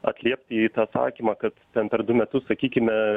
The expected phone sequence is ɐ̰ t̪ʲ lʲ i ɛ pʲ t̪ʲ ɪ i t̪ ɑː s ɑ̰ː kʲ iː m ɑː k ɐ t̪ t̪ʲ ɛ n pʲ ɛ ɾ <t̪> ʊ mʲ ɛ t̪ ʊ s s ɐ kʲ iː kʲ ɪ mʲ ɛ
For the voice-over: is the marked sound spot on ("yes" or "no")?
no